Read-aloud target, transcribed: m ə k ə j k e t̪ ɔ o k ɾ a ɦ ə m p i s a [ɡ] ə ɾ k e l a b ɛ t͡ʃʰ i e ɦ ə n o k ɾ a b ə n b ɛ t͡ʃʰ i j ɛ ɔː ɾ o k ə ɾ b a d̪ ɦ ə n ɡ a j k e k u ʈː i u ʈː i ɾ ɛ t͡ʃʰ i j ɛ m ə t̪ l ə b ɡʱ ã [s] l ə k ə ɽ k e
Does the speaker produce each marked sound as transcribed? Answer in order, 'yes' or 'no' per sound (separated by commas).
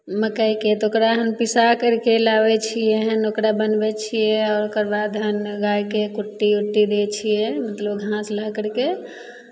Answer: no, yes